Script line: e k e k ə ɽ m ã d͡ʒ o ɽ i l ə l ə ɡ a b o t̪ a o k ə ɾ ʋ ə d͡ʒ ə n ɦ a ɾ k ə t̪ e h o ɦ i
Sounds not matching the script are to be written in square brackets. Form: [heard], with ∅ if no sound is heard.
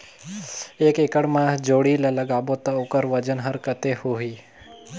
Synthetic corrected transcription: e k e k ə ɽ m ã d͡ʒ o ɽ i l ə l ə ɡ a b o t̪ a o k ə ɾ ʋ ə d͡ʒ ə n ɦ [ə] ɾ k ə t̪ e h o ɦ i